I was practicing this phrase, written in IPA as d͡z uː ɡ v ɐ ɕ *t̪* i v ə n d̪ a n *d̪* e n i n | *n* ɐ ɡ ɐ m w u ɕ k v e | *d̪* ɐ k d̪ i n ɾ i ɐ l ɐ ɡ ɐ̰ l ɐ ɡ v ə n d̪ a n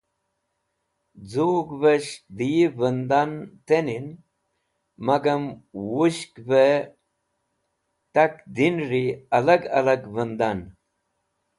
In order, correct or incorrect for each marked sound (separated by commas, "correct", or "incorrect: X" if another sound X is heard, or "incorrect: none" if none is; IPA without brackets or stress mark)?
incorrect: d̪, incorrect: t̪, incorrect: m, incorrect: t̪